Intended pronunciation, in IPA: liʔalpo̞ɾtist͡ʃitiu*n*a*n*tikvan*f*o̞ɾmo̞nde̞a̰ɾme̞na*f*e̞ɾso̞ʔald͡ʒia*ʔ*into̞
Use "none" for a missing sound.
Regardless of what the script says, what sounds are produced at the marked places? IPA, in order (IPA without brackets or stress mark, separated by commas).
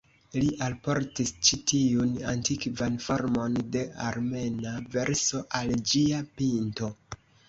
n, n, f, v, p